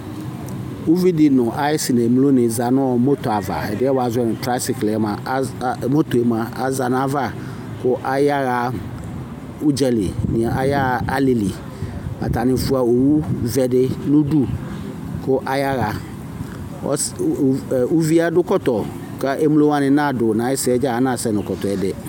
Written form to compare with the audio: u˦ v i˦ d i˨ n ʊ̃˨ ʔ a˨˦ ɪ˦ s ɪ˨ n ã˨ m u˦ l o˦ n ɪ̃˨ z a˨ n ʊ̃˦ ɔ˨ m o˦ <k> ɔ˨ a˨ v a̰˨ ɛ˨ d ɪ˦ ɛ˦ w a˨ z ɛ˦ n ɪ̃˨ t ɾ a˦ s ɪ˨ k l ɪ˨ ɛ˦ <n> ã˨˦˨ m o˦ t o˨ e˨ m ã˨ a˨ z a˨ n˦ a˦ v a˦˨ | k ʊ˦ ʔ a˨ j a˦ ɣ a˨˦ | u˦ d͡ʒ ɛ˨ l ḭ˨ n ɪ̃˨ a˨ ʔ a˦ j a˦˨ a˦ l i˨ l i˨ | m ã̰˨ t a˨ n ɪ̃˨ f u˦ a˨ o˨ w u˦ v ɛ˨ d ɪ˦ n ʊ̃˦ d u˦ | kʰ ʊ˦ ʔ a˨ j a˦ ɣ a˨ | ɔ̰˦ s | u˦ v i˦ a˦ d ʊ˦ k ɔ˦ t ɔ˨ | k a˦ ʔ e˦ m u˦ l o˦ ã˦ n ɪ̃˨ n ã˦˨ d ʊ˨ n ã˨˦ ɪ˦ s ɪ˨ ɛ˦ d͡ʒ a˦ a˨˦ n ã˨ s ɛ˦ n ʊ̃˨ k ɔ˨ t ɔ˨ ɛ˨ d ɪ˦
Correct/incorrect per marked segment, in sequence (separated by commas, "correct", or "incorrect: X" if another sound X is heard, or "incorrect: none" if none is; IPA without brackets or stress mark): incorrect: t, incorrect: m